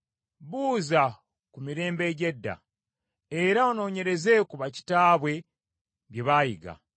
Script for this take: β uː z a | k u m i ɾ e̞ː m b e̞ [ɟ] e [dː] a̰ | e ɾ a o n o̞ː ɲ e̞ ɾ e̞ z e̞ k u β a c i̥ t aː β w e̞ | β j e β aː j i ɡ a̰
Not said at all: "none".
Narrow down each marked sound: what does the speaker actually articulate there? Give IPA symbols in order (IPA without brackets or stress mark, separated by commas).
ɟ, dː